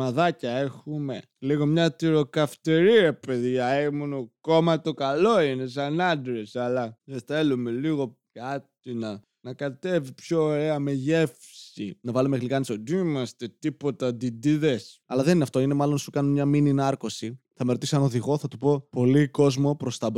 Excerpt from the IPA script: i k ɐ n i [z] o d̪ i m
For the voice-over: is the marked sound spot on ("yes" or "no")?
no